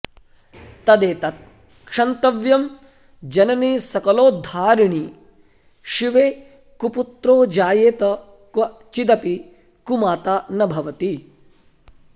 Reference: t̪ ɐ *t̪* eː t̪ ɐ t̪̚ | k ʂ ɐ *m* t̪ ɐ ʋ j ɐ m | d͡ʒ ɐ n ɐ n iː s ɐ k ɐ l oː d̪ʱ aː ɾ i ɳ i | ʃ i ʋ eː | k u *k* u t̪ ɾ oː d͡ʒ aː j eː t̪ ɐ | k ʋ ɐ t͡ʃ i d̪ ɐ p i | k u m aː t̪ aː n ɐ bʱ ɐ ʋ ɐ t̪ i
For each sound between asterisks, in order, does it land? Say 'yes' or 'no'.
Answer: no, no, no

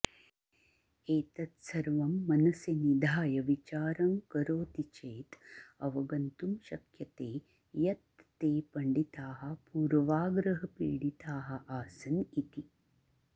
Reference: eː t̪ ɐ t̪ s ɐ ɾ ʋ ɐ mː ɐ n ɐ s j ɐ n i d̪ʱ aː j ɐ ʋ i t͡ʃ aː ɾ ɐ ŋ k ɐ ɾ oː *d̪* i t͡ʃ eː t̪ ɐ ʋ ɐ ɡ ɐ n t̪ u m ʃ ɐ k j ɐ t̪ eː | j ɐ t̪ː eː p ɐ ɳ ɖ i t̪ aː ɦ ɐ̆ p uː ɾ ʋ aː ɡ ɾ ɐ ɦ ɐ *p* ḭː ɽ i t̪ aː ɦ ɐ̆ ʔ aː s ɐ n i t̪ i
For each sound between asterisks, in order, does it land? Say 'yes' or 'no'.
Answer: no, yes

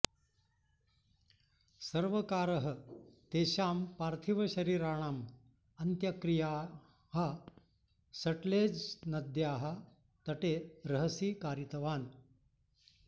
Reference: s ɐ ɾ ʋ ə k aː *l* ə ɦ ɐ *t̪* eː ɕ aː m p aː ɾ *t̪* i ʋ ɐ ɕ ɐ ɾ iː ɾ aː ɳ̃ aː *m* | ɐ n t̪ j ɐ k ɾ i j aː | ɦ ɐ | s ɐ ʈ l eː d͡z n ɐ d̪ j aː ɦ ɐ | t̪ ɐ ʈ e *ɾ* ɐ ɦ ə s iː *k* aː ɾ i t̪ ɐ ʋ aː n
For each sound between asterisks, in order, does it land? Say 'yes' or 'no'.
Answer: no, yes, no, yes, yes, yes

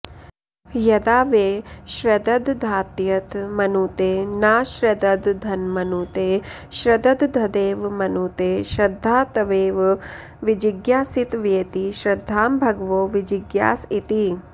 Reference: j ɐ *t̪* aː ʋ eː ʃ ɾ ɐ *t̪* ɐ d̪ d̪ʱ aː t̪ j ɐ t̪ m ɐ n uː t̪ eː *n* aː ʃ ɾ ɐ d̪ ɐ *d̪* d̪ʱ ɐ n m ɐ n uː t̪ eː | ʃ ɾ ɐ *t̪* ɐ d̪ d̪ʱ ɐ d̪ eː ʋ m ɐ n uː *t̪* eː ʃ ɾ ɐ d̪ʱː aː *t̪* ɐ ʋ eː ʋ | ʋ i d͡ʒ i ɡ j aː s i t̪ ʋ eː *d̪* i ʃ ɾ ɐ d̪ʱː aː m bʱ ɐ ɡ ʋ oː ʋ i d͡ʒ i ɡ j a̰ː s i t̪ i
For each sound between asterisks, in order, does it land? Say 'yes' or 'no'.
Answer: no, no, yes, yes, no, yes, yes, no

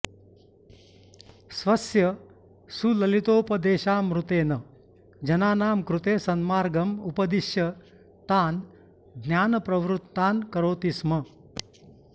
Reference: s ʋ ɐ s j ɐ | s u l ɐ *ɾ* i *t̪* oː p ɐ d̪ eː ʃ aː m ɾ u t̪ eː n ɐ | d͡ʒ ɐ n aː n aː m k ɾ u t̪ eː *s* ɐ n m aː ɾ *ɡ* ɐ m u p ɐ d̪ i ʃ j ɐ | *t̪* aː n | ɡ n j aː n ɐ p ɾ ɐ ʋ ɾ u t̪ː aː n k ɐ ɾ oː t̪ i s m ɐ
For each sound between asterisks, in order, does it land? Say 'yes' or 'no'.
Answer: no, yes, yes, yes, yes

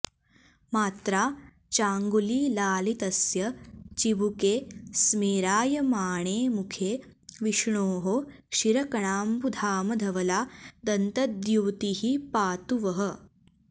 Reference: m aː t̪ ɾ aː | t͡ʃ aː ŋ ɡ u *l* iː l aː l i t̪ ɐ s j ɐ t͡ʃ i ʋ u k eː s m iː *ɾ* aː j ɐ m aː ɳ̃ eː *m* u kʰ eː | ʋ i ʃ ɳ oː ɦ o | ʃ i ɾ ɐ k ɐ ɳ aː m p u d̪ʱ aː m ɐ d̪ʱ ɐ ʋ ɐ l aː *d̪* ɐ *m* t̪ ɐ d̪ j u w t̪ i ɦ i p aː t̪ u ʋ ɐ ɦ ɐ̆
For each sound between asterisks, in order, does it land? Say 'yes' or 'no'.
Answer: yes, yes, yes, yes, no

